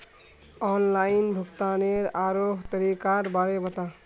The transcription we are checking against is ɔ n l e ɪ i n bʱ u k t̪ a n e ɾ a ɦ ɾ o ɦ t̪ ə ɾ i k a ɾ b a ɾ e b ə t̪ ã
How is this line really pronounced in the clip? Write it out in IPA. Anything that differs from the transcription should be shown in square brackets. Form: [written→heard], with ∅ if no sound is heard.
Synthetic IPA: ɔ n l [e→a] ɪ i n bʱ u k t̪ a n e ɾ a [ɦ→∅] ɾ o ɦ t̪ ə ɾ i k a ɾ b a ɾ e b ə t̪ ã